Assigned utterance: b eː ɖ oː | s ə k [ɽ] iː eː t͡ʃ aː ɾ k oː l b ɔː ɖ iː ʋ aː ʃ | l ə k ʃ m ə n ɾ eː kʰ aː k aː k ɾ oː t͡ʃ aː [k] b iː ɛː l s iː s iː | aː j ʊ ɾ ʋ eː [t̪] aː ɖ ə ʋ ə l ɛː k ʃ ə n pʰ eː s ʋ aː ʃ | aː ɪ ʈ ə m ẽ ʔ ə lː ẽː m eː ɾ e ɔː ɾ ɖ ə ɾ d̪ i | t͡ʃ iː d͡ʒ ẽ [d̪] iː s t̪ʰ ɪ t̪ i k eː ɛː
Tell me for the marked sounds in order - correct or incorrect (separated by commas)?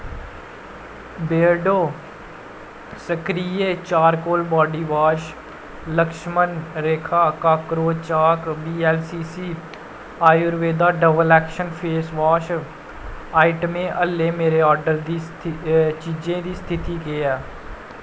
incorrect, correct, incorrect, correct